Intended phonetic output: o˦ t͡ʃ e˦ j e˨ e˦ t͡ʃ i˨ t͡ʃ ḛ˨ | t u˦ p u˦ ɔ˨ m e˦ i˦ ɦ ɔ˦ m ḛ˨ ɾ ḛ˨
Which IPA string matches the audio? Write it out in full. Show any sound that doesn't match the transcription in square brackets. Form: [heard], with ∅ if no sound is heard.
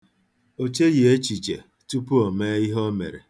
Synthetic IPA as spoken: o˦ t͡ʃ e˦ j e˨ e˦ t͡ʃ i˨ t͡ʃ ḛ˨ | t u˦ p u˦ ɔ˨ m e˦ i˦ ɦ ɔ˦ m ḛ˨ ɾ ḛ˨

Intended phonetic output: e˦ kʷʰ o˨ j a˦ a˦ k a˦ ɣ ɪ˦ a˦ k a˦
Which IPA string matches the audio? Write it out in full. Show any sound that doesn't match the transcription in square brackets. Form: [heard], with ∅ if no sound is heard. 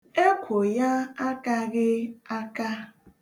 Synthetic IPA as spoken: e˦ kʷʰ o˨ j a˦ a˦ k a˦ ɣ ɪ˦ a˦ k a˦

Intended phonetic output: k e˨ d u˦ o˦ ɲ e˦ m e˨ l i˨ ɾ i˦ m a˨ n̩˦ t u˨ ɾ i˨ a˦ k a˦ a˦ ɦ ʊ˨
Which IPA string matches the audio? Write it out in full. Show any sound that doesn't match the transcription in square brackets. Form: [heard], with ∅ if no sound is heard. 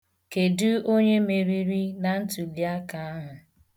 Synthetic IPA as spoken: k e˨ d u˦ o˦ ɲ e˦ m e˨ [ɾ] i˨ ɾ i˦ [n] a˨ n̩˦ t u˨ [l] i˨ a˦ k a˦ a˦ ɦ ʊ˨

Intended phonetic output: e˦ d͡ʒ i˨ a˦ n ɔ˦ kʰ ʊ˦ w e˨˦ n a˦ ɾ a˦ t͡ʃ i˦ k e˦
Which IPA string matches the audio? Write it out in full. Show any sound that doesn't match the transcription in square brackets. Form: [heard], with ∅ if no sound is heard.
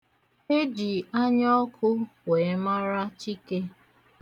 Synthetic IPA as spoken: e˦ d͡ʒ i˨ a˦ [ɲ] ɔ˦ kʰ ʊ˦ w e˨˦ [m] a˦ ɾ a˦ t͡ʃ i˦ k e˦

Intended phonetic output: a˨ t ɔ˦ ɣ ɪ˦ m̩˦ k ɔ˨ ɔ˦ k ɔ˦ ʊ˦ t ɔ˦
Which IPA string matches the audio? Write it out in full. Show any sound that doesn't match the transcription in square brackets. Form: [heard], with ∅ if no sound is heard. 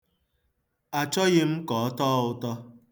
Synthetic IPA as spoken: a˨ [t͡ʃ] ɔ˦ ɣ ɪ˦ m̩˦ k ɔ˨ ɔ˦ [t] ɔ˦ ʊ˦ t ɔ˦

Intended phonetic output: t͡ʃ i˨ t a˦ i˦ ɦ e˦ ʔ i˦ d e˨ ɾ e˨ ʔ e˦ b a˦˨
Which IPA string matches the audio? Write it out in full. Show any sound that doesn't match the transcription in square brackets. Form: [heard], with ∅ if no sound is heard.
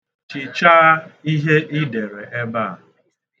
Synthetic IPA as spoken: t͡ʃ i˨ [t͡ʃ] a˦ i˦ ɦ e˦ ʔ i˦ d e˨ ɾ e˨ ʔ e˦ b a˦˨

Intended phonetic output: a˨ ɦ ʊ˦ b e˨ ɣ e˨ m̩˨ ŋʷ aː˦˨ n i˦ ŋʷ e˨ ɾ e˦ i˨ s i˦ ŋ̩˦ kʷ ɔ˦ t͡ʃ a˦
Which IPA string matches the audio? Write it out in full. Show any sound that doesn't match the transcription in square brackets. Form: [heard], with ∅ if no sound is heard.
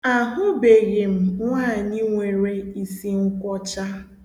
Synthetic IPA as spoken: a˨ ɦ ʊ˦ b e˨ ɣ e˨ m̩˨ ŋʷ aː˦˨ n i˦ ŋʷ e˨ ɾ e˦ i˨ s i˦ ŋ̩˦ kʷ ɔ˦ t͡ʃ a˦

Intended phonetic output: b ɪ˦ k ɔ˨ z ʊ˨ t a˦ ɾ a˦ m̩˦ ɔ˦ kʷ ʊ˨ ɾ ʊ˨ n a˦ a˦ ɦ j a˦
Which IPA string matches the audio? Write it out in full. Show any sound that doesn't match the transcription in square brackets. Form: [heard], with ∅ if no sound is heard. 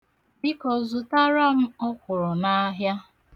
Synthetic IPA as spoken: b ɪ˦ k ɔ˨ z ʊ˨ t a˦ ɾ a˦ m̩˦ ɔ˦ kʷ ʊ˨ ɾ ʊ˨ n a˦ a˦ ɦ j a˦

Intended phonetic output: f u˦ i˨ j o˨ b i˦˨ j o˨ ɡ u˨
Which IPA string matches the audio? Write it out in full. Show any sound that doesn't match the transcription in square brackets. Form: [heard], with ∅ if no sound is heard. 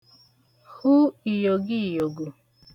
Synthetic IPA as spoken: [h] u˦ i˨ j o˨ [ɡ] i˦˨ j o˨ ɡ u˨

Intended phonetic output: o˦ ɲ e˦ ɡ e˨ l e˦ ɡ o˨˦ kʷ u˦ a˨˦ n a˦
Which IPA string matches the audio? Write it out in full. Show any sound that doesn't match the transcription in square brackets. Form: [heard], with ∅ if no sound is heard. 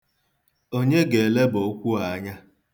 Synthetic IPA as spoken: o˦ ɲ e˦ ɡ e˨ l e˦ [b] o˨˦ kʷ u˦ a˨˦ [ɲ] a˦

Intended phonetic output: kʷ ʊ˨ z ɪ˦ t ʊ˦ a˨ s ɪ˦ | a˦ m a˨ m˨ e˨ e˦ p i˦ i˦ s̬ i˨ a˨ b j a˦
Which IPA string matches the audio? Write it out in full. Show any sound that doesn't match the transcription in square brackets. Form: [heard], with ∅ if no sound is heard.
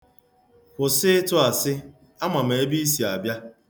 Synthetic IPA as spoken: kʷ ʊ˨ [s] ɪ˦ t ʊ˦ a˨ s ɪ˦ | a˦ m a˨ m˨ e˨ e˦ [b] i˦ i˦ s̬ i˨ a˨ b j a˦

